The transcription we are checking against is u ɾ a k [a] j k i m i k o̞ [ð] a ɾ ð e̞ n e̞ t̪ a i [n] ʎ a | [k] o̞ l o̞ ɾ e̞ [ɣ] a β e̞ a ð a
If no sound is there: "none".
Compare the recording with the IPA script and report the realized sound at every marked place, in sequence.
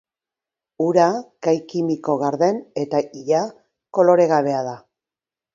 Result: a, ɣ, none, k, ɣ

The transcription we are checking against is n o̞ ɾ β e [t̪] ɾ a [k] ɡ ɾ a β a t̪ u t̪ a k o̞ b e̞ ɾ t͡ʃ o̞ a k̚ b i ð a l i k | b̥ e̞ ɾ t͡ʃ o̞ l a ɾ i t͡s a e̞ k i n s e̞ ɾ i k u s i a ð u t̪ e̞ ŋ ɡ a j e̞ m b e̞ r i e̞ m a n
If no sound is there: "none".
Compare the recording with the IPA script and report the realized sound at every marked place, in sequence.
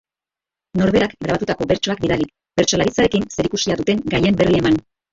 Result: none, k

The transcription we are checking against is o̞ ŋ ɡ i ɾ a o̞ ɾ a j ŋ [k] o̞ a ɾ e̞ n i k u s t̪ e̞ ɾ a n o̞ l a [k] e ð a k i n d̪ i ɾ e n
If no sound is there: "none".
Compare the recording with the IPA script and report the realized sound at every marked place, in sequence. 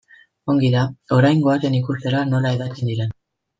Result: ɡ, none

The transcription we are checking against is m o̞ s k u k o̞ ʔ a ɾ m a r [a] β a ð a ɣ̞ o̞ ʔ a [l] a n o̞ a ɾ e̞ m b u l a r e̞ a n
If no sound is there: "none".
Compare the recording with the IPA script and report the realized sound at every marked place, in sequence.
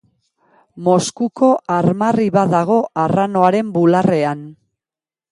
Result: i, r

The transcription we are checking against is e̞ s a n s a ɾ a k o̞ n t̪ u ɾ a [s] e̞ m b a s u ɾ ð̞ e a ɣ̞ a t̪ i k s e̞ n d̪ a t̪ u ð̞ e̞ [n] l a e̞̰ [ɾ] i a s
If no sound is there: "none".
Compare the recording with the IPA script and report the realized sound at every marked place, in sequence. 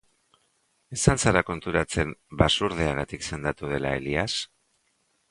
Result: t͡s, none, l

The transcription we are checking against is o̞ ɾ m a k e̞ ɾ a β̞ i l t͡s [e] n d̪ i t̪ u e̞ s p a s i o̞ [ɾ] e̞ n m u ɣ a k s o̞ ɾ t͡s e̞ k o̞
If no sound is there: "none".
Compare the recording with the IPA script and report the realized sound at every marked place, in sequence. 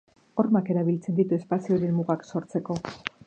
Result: e, ɾ

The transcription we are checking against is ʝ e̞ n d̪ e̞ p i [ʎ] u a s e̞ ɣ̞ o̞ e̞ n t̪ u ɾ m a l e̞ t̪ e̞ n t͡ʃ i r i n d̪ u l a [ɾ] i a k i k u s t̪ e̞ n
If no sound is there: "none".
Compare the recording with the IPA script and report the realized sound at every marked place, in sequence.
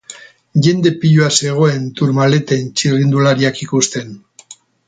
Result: ʎ, ɾ

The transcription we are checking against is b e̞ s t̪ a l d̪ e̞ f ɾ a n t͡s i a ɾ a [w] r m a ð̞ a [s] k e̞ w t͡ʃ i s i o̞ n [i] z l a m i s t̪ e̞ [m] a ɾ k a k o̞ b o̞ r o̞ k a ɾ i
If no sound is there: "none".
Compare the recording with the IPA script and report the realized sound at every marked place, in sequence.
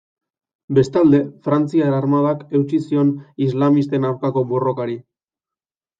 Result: none, none, i, n

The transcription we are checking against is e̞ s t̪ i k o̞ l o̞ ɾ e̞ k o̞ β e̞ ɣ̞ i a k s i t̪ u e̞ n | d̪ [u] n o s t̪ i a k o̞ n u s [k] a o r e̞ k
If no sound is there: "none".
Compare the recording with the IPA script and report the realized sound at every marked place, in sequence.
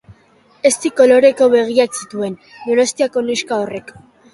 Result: o, k

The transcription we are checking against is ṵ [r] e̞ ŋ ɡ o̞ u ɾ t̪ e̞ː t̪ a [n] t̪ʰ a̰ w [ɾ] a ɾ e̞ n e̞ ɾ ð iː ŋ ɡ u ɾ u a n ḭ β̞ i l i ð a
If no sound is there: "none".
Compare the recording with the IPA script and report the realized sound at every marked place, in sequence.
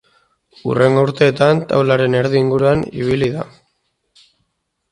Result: r, n, l

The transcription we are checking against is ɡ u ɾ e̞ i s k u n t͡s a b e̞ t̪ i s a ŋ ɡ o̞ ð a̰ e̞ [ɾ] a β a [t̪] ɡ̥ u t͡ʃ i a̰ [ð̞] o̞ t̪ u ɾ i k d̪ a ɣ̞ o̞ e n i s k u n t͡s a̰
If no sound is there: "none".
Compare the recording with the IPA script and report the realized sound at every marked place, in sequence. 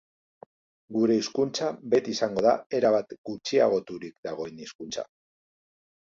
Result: ɾ, t̪, ɣ̞

